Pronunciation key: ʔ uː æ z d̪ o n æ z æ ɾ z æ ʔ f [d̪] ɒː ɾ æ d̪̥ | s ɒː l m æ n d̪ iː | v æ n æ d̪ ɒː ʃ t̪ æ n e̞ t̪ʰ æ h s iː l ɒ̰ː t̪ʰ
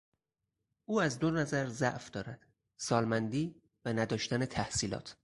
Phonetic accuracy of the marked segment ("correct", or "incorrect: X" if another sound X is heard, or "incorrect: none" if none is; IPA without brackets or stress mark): correct